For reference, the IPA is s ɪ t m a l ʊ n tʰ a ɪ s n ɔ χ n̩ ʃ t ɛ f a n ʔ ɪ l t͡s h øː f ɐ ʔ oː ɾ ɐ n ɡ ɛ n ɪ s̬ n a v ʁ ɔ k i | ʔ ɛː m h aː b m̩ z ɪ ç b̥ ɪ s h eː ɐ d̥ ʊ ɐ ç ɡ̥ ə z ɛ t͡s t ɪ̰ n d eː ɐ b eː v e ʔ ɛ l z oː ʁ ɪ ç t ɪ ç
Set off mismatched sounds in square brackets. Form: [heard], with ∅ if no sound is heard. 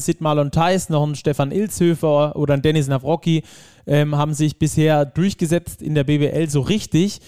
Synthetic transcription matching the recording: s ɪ t m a l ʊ n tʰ a ɪ s n ɔ χ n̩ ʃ t ɛ f a n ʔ ɪ l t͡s h øː f ɐ ʔ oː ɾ ɐ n [d] ɛ n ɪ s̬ n a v ʁ ɔ k i | ʔ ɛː m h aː b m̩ z ɪ ç b̥ ɪ s h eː ɐ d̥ ʊ ɐ ç ɡ̥ ə z ɛ t͡s t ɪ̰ n d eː ɐ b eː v e ʔ ɛ l z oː ʁ ɪ ç t ɪ ç